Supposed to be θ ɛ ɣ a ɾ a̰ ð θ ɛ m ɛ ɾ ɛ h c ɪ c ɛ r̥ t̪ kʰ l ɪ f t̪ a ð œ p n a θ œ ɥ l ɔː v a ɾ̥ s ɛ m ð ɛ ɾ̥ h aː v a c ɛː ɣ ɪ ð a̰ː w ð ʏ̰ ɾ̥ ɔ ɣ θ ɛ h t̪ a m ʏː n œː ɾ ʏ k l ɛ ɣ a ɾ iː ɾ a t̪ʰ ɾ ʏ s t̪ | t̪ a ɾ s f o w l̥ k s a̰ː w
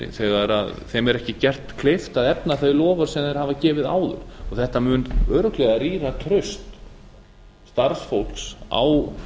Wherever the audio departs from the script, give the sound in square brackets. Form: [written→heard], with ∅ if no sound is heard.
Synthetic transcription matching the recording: θ ɛ ɣ a ɾ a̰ ð θ ɛ m ɛ ɾ ɛ h c ɪ c ɛ r̥ t̪ kʰ l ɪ f t̪ a ð [œ→ɛ] p n a θ œ ɥ l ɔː v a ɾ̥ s ɛ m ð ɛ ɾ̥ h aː v a c ɛː [ɣ→v] ɪ ð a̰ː w ð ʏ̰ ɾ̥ ɔ ɣ θ ɛ h t̪ a m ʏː n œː ɾ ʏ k l ɛ ɣ a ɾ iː ɾ a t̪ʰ ɾ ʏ s t̪ | t̪ a ɾ s f o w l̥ k s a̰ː w